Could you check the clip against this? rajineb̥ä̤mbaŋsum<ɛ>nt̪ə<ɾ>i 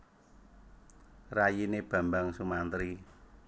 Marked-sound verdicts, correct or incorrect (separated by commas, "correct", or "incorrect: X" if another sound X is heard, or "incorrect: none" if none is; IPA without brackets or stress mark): incorrect: a, correct